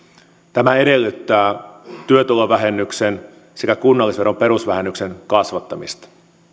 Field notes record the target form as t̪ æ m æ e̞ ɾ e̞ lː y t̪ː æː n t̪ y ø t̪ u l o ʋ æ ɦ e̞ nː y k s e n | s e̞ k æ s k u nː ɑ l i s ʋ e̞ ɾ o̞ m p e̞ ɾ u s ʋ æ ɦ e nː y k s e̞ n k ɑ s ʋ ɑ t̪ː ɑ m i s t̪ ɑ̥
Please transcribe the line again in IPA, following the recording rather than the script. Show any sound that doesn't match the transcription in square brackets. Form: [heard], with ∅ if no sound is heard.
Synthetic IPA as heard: t̪ æ m æ e̞ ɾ e̞ lː y t̪ː æː [∅] t̪ y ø t̪ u l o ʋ æ ɦ e̞ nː y k s e n | s e̞ k æ [∅] k u nː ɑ [lː] i s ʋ e̞ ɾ o̞ m p e̞ ɾ u s ʋ æ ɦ e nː y k s e̞ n k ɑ s ʋ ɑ t̪ː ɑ m i s t̪ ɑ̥